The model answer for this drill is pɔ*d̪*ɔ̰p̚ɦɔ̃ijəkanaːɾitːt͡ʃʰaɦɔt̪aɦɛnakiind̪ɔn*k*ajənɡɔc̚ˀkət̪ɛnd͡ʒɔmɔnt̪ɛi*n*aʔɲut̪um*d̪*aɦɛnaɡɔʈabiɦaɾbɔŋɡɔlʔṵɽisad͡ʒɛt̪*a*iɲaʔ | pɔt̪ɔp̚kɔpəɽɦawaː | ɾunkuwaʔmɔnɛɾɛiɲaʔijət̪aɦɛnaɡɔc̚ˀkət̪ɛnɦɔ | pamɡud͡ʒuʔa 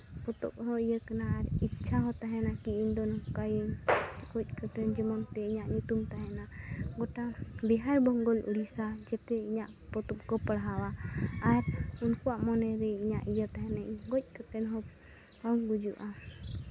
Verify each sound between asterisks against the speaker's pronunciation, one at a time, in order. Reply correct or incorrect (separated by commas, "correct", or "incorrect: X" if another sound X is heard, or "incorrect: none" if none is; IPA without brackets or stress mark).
incorrect: t̪, correct, incorrect: ɲ, incorrect: t̪, incorrect: ɛ